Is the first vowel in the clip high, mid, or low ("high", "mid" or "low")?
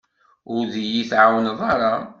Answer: high